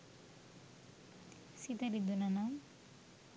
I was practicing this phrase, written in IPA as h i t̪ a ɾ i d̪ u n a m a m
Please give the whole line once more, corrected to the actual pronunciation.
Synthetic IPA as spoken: s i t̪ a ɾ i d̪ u n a n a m